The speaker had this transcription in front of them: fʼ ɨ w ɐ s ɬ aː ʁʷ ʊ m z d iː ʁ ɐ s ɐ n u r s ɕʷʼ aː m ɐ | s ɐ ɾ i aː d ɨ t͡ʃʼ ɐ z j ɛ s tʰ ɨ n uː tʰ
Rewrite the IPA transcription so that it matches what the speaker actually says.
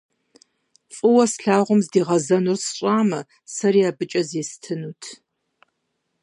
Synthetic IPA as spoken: fʼ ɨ w ɐ s ɬ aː ʁʷ ʊ m z d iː ʁ ɐ z ɐ n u r s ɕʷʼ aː m ɐ | s ɐ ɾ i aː b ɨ t͡ʃʼ ɐ z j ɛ s tʰ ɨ n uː tʰ